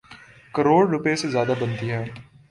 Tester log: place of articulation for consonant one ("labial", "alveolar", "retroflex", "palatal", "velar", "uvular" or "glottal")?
velar